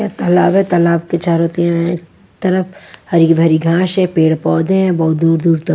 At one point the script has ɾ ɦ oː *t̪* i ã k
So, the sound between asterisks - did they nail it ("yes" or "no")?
yes